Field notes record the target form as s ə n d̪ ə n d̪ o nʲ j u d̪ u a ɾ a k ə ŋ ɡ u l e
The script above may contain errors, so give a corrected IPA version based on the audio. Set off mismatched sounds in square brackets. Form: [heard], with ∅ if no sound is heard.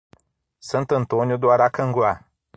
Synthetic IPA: s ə n [t̪] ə n [t̪] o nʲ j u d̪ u a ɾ a k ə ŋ ɡ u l [a]